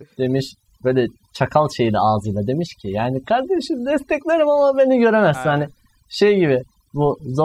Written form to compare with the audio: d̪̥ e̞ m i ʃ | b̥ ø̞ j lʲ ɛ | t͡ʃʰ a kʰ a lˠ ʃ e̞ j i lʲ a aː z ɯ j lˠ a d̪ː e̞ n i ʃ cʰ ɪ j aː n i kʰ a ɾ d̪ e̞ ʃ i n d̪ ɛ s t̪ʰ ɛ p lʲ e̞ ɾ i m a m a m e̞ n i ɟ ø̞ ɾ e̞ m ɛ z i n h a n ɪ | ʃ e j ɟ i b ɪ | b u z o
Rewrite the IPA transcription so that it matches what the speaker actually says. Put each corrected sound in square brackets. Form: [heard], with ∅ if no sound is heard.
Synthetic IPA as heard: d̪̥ e̞ m i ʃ | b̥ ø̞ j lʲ ɛ | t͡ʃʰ a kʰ a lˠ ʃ e̞ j i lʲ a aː z ɯ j lˠ a [d̪] e̞ [m] i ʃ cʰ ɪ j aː n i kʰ a ɾ d̪ e̞ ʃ i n d̪ ɛ s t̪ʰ ɛ [c] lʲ e̞ ɾ i m a m a [b] e̞ n i ɟ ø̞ ɾ e̞ m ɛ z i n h a n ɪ | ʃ e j ɟ i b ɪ | b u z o